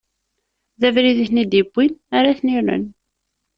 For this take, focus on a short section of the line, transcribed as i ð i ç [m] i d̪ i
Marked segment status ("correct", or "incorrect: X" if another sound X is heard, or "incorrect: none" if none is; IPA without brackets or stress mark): incorrect: n